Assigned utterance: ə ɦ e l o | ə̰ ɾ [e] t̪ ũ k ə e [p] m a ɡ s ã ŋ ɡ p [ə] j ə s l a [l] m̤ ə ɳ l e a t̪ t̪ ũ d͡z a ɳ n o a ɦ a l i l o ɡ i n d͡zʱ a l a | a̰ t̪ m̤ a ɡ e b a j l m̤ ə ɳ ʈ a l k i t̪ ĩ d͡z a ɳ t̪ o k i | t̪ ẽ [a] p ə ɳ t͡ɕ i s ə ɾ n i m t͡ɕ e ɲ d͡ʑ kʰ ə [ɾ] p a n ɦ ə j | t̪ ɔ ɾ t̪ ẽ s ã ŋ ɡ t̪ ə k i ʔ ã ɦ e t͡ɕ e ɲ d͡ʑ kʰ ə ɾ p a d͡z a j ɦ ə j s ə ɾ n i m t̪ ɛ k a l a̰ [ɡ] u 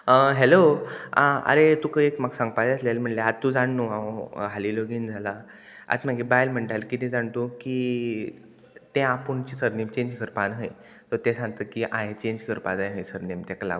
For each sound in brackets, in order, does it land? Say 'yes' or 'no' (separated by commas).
yes, no, no, yes, yes, yes, yes